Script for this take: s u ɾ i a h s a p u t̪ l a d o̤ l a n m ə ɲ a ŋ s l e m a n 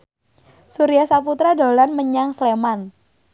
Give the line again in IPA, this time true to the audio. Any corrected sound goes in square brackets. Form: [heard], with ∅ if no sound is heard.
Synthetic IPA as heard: s u ɾ i a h s a p u t̪ [ɾ] a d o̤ l a n m ə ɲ a ŋ s l e m a n